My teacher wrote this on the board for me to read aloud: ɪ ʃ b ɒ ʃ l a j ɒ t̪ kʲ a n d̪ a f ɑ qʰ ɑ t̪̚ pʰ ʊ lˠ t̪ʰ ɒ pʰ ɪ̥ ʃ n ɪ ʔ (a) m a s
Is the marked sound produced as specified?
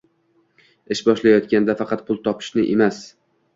no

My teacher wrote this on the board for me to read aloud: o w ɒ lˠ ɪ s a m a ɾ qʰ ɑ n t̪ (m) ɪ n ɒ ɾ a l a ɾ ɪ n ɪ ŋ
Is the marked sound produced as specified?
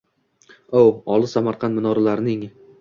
yes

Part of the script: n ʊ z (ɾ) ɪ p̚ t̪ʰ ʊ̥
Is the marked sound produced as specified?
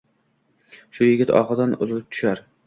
no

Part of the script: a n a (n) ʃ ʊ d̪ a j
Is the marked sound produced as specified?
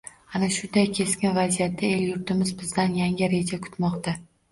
no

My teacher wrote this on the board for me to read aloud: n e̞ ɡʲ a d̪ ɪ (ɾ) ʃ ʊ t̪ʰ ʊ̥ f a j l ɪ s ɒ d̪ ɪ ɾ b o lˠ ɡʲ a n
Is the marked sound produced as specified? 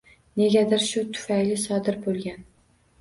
yes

